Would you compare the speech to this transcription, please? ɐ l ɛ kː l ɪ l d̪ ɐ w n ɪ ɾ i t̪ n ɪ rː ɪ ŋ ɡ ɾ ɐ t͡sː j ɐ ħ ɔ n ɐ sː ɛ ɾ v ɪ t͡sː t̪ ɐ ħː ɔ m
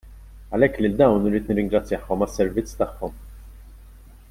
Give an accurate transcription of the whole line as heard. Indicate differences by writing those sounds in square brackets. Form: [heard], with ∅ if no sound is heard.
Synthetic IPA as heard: ɐ l ɛ kː l ɪ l d̪ ɐ w n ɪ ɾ [iː] t̪ n ɪ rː ɪ ŋ ɡ ɾ ɐ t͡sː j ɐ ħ ɔ [m] ɐ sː ɛ ɾ v ɪ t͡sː t̪ ɐ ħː ɔ m